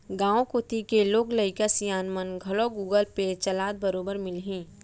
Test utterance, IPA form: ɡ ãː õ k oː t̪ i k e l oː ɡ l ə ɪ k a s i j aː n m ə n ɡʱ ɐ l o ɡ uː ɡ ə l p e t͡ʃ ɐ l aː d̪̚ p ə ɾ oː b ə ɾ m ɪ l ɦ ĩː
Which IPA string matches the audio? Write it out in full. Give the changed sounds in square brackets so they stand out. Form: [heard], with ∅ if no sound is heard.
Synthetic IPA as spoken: ɡ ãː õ k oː t̪ i k e l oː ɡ l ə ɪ k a s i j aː n m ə n ɡʱ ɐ l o ɡ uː ɡ ə l p e t͡ʃ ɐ l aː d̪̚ [b] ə ɾ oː b ə ɾ m ɪ l ɦ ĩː